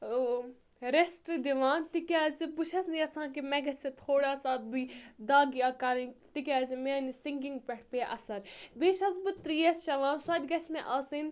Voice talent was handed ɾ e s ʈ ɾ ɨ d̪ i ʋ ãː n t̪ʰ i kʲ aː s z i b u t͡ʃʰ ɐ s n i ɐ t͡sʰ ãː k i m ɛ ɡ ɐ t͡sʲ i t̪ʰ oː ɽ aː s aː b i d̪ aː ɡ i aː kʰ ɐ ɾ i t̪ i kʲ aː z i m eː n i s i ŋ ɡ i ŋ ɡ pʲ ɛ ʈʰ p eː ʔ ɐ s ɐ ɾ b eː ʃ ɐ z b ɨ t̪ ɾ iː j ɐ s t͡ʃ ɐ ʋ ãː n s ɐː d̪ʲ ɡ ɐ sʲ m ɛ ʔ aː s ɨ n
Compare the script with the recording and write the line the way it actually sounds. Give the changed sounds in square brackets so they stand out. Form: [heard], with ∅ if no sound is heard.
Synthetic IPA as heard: ɾ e s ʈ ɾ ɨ d̪ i ʋ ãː n [t̪] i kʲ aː [∅] z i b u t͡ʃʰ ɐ s n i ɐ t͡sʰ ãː k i m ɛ ɡ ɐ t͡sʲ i t̪ʰ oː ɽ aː s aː b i d̪ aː ɡ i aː [k] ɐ ɾ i t̪ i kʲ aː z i m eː n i s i ŋ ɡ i ŋ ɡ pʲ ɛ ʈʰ p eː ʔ ɐ s ɐ ɾ b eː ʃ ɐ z b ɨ t̪ ɾ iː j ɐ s t͡ʃ ɐ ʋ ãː n s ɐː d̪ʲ ɡ ɐ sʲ m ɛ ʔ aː s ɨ n